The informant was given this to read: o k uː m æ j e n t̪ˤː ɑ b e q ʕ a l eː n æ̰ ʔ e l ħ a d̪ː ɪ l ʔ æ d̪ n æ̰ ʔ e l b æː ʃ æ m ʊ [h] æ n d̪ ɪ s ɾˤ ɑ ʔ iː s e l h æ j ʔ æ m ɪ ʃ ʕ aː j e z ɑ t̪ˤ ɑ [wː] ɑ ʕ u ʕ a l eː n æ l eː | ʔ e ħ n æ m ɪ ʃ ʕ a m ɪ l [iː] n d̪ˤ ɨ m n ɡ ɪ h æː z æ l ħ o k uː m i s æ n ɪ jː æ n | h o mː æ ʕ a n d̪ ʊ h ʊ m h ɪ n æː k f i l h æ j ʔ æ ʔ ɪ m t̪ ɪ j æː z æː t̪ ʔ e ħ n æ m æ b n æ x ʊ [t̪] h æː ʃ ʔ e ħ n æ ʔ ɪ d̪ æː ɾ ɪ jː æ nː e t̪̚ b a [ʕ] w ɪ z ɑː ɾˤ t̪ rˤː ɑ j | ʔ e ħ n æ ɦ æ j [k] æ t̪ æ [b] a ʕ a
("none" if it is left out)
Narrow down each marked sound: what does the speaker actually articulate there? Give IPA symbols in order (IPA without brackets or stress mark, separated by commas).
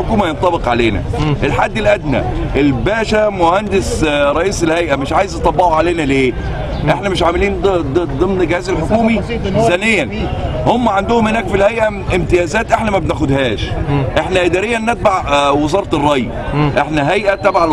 h, bː, iː, d̪, ʕ, ʔ, b